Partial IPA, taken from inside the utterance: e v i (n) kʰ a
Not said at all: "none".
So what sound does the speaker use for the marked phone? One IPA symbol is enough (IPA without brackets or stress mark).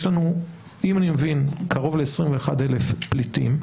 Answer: n